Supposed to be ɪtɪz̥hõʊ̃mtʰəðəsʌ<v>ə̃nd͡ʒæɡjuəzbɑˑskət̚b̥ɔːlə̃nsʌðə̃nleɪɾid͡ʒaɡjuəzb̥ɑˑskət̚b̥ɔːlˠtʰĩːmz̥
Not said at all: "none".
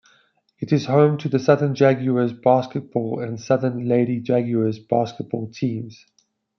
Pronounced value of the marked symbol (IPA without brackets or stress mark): ð